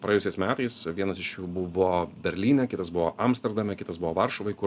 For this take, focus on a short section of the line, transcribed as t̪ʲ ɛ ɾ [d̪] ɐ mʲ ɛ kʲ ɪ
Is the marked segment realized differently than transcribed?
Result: no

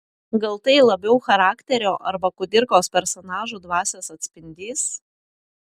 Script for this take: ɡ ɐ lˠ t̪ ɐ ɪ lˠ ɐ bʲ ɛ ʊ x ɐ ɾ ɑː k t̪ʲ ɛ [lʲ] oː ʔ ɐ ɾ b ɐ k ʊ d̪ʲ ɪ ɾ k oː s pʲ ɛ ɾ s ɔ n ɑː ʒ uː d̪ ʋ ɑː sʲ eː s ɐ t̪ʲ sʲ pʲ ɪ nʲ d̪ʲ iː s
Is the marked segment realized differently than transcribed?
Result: yes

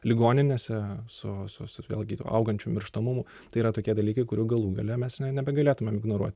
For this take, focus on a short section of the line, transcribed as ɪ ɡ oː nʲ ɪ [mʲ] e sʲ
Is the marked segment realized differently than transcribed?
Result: yes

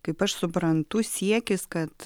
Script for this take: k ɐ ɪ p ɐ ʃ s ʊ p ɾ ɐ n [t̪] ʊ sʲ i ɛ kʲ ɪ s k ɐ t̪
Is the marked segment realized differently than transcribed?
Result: no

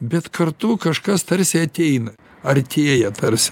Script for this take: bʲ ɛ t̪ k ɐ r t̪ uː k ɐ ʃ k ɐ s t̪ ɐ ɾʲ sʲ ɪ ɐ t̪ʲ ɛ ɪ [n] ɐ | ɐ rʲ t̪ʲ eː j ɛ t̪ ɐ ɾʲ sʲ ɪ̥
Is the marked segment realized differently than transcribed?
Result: no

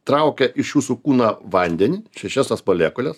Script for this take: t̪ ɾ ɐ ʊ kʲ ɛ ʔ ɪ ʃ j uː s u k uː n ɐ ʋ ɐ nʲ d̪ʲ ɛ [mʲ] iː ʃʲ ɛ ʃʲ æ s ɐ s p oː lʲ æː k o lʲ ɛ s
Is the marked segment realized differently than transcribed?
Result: yes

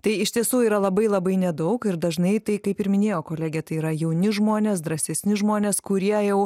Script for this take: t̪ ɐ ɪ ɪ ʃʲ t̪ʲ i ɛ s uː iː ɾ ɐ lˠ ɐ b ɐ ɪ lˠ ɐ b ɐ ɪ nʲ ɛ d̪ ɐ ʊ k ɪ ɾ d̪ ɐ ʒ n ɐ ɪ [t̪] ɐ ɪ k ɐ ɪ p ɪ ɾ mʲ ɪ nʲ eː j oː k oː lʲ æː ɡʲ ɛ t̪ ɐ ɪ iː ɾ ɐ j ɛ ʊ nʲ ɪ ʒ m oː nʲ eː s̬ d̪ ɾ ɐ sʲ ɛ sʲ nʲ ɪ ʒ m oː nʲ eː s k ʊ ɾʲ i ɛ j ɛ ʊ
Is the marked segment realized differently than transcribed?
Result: no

